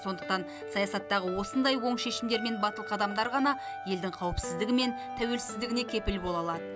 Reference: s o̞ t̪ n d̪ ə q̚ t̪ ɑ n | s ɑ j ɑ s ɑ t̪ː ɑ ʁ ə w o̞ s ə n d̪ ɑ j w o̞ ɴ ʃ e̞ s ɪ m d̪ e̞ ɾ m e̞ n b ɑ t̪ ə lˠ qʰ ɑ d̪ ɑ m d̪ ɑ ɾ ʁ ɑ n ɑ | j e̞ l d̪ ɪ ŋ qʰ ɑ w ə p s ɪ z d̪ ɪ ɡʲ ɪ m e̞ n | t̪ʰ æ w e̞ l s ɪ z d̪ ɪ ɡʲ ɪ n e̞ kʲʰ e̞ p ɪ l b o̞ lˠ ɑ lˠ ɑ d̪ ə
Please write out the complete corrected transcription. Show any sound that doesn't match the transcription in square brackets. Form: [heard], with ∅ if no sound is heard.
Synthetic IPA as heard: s o̞ [∅] n d̪ ə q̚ t̪ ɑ n | s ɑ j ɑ s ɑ t̪ː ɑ ʁ ə w o̞ s ə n d̪ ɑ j w o̞ ɴ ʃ e̞ [ʃ] ɪ m d̪ e̞ ɾ m e̞ n b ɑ t̪ ə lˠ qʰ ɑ d̪ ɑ m d̪ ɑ ɾ ʁ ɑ n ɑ | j e̞ l d̪ ɪ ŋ qʰ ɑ w ə p s ɪ z d̪ ɪ ɡʲ ɪ m e̞ n | t̪ʰ æ w e̞ l s ɪ z d̪ ɪ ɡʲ ɪ n e̞ kʲʰ e̞ p ɪ l b o̞ lˠ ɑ lˠ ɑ d̪ ə